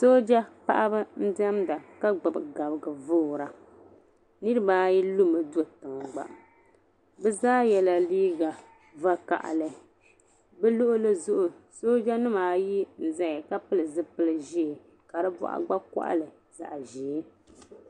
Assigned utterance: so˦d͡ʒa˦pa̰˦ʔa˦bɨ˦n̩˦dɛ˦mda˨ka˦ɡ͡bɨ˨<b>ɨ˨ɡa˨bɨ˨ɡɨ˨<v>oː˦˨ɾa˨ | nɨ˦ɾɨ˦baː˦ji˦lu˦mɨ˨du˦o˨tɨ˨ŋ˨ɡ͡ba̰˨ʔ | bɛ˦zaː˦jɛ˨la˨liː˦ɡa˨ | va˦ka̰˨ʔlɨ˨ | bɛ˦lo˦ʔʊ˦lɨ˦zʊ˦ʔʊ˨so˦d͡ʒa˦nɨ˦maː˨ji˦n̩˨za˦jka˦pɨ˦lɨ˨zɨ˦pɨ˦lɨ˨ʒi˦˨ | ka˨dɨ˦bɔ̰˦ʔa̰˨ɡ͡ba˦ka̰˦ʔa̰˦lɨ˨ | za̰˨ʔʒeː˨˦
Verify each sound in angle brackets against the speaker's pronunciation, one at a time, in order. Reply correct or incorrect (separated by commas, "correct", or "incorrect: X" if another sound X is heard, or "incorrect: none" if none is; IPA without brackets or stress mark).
correct, correct